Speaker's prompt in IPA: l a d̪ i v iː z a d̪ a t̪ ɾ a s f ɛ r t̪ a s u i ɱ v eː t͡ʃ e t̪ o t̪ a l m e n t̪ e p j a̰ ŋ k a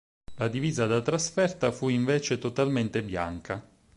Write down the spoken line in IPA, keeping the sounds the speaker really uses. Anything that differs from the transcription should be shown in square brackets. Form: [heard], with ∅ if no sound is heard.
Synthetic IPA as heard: l a d̪ i v iː z a d̪ a t̪ ɾ a s f ɛ r t̪ a [f] u i ɱ v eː t͡ʃ e t̪ o t̪ a l m e n t̪ e [b] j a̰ ŋ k a